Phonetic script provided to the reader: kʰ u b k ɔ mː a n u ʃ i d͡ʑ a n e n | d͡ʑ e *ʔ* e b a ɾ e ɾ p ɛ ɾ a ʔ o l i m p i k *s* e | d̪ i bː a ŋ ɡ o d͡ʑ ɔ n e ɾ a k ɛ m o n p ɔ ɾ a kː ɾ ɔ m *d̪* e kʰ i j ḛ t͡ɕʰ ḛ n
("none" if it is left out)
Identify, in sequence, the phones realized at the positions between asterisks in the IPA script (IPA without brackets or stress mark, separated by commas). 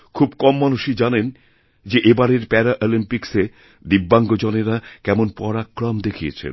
ʔ, s, d̪